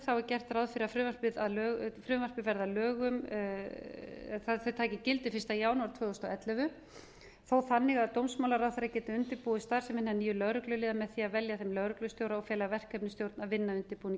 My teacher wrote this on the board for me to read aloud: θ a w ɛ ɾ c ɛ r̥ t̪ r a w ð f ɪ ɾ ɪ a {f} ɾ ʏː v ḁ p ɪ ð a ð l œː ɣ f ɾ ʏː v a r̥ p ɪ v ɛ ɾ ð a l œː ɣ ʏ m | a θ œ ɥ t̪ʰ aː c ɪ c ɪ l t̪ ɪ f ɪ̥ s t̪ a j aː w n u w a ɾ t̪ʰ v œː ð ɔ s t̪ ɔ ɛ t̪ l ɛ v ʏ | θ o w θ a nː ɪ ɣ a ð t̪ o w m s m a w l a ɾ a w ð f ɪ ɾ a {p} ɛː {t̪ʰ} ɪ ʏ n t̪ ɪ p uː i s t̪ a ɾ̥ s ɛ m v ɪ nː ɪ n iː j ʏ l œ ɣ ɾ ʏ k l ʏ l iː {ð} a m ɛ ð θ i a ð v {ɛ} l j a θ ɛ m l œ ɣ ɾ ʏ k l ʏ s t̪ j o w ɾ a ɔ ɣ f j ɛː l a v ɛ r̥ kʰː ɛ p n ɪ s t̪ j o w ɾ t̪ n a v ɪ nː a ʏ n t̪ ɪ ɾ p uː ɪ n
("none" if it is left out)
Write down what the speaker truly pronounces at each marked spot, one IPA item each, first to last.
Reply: f, c, t̪, ð, ɛ

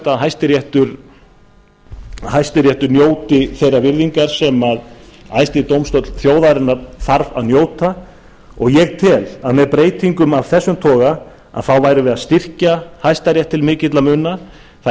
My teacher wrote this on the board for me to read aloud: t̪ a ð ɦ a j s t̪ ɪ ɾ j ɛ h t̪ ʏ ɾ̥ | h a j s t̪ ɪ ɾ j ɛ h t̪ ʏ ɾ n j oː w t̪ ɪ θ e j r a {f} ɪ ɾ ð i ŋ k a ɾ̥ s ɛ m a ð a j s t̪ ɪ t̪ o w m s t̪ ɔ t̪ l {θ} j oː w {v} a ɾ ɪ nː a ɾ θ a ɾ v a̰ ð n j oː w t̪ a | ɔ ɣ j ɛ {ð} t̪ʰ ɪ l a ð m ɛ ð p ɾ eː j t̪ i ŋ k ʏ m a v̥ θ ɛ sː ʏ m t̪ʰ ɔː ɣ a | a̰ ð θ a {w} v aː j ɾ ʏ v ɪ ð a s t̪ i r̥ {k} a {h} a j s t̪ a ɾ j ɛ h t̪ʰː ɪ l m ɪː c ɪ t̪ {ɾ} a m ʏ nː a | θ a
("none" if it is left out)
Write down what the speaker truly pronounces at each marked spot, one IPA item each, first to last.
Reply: v, θ, ð, ɣ, w, c, h, l

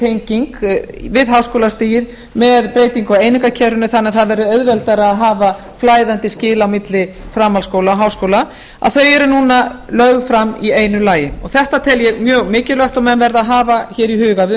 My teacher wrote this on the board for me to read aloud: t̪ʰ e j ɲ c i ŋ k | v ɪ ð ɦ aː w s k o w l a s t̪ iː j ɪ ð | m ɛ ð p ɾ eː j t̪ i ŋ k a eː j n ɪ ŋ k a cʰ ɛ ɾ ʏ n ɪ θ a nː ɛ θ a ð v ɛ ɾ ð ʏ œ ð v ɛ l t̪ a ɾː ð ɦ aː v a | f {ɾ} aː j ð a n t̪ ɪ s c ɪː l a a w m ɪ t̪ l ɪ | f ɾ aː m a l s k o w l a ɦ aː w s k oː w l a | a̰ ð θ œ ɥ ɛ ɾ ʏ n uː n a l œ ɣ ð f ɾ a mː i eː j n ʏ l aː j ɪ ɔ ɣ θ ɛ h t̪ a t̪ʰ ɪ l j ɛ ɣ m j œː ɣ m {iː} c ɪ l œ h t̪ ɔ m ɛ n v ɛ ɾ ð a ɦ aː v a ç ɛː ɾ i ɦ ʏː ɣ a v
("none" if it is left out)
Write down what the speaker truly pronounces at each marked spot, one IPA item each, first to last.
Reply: l, ɪː

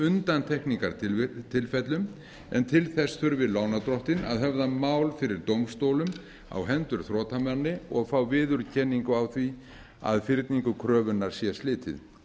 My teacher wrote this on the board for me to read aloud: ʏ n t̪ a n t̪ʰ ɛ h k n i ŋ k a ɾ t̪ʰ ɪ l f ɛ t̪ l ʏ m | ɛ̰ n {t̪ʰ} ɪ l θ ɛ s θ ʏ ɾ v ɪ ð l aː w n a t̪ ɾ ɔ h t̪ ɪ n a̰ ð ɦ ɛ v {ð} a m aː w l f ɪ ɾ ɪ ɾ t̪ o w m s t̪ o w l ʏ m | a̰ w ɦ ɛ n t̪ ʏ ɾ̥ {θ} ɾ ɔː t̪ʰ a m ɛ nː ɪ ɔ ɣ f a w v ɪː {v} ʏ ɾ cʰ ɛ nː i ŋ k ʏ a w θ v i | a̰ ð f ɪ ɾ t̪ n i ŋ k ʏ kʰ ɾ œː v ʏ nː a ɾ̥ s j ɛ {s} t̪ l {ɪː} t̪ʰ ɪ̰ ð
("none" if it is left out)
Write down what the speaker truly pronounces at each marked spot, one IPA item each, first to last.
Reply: t̪ʰ, ð, θ, ð, s, ɪː

